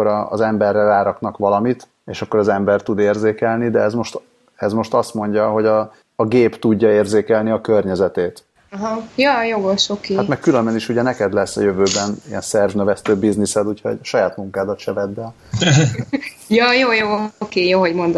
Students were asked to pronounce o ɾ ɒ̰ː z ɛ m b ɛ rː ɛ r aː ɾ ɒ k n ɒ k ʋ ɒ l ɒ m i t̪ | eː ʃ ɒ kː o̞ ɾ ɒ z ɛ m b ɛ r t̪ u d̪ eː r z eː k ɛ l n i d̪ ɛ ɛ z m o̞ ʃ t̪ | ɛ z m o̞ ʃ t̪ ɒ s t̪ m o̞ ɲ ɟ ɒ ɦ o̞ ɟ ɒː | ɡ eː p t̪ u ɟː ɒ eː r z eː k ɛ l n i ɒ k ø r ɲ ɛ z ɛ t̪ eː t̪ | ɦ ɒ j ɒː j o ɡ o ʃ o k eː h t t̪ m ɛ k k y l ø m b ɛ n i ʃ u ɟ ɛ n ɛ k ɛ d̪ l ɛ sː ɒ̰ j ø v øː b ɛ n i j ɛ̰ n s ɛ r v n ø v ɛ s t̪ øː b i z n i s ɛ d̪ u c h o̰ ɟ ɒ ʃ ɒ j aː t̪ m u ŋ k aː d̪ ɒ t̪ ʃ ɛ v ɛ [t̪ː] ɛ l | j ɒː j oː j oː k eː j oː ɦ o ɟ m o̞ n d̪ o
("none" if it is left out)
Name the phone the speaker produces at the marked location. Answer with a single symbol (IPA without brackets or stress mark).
d̪ː